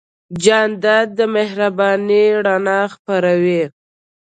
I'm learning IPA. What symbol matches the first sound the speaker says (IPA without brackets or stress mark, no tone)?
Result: d͡ʒ